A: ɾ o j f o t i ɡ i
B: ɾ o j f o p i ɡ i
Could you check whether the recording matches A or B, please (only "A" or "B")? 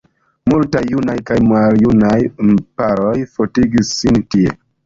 A